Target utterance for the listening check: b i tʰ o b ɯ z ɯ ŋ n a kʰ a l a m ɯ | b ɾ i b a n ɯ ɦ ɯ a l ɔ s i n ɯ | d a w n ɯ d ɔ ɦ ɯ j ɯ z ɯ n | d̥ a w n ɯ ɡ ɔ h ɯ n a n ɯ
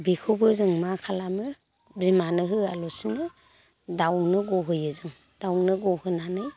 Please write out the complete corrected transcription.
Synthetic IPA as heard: b i kʰ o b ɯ z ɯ ŋ m a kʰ a l a m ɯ | b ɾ i m a n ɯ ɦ ɯ a l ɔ s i n ɯ | d a w n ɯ ɡ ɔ ɦ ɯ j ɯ z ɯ ŋ | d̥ a w n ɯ ɡ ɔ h ɯ n a n ɯ